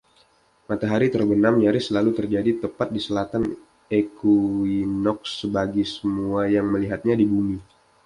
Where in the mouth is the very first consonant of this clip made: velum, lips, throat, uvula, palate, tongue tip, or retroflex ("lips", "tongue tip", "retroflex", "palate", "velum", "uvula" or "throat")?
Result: lips